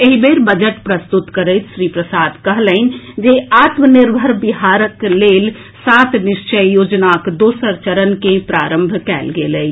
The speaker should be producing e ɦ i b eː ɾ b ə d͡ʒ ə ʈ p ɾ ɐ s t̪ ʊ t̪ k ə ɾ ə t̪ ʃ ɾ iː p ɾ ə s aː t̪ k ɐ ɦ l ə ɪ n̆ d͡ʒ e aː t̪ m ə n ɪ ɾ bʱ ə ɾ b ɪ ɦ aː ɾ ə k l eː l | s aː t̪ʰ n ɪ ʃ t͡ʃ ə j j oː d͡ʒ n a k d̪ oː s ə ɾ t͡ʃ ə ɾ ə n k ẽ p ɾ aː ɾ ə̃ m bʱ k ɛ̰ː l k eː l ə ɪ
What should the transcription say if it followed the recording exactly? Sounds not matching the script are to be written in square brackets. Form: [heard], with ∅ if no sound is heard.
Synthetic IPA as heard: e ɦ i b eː ɾ b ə d͡ʒ ə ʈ p ɾ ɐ s t̪ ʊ t̪ k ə ɾ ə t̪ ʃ ɾ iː p ɾ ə s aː [d̪] k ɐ ɦ l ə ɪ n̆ d͡ʒ e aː t̪ m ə n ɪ ɾ bʱ ə ɾ b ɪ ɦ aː ɾ ə k l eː l | s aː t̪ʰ n ɪ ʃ t͡ʃ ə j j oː d͡ʒ n a k d̪ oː s ə ɾ t͡ʃ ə ɾ ə n k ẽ p ɾ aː ɾ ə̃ m bʱ k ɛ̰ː l [ɡ] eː l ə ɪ